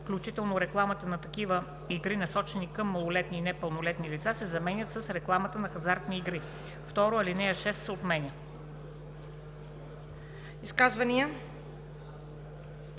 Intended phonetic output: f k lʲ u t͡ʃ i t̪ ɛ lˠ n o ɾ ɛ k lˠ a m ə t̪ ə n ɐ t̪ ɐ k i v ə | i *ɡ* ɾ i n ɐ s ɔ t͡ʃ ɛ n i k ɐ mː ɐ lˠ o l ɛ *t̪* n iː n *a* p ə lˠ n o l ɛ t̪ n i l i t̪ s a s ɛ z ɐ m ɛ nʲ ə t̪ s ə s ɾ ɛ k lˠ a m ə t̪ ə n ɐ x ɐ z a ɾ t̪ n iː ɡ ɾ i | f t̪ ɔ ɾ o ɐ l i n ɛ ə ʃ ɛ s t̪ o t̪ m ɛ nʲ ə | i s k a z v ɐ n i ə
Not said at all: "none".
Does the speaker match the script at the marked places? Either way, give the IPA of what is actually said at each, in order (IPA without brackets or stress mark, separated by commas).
ɡ, t̪, ɛ